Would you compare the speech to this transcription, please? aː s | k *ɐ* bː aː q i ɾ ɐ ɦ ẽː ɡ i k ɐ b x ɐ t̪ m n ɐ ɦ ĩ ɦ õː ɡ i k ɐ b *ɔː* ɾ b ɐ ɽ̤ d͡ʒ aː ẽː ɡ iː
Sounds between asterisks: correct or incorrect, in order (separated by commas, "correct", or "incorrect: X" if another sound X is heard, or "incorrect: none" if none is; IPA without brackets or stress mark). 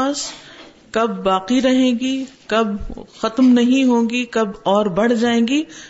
correct, correct